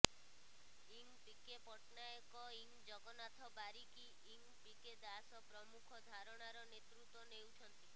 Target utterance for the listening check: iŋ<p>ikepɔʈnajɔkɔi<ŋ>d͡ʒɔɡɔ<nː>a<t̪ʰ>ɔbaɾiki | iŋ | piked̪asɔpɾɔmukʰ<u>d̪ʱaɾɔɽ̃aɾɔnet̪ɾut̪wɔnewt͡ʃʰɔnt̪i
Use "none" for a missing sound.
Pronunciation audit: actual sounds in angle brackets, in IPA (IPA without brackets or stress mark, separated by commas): p, ŋ, n, t̪ʰ, ɔ